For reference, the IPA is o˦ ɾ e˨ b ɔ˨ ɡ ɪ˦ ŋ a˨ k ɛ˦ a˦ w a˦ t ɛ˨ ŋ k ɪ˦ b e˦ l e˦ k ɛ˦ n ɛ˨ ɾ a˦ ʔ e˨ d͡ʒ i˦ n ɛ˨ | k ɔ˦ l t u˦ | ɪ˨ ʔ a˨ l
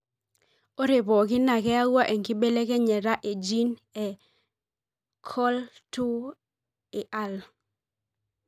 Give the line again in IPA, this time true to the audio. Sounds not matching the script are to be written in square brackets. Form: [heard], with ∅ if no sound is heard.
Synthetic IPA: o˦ ɾ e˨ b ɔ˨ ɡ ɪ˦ [n] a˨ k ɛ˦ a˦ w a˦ [ʔ] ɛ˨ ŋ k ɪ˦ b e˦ l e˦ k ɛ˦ [ɲ] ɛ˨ ɾ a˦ ʔ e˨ d͡ʒ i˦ n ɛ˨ | [kʰ] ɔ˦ l t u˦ | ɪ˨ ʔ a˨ l